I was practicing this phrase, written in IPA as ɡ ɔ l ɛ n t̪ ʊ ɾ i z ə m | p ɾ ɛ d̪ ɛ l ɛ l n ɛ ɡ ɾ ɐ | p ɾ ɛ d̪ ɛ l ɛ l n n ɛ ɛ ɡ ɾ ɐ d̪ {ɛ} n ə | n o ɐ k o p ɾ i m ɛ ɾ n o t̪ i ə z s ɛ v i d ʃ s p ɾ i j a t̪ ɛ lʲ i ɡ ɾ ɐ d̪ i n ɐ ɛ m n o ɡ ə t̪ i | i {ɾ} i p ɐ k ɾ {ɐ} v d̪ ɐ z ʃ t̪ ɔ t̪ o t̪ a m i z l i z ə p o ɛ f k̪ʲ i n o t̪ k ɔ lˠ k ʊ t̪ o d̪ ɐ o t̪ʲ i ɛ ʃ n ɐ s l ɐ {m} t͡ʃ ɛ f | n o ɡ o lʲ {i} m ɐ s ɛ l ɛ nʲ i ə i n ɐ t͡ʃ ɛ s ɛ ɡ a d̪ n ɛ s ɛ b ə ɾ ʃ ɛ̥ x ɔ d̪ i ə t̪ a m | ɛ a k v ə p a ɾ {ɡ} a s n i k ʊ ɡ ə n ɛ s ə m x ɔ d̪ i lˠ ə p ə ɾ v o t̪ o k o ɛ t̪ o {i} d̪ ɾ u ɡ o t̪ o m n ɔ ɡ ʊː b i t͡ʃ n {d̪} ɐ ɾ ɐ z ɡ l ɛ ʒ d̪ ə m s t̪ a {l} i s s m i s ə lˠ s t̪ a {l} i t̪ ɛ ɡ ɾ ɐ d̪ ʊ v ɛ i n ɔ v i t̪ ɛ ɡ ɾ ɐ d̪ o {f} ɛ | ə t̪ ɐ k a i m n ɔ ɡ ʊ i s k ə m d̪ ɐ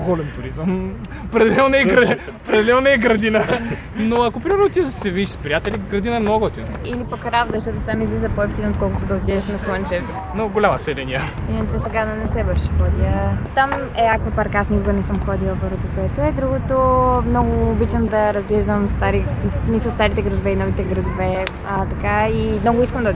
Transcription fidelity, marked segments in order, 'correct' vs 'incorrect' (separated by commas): incorrect, incorrect, incorrect, incorrect, incorrect, incorrect, incorrect, correct, incorrect, incorrect, incorrect